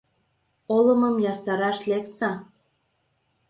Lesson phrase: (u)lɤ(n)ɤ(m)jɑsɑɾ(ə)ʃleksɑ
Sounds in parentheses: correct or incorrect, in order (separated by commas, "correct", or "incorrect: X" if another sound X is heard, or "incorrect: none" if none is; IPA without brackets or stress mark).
incorrect: o, incorrect: m, correct, incorrect: ɑ